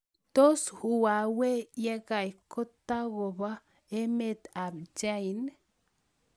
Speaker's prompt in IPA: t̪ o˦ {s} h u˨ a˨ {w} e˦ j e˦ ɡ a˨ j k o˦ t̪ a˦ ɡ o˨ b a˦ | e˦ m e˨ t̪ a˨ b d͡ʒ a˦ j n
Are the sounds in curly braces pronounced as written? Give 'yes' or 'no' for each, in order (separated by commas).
yes, yes